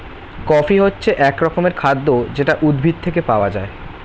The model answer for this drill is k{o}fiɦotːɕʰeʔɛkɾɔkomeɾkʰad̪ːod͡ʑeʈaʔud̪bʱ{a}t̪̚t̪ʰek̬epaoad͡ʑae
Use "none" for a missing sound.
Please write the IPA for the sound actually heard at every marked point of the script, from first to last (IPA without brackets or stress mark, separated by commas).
ɔ, i